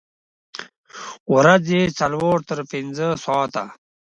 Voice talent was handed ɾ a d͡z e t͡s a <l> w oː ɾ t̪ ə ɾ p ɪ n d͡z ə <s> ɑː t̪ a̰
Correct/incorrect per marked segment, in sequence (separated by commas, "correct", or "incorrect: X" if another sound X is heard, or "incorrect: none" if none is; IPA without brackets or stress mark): correct, correct